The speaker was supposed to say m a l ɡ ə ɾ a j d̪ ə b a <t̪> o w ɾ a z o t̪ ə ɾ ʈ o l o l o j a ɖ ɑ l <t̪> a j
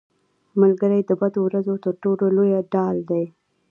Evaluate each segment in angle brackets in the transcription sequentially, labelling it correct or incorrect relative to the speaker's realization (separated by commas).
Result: incorrect, incorrect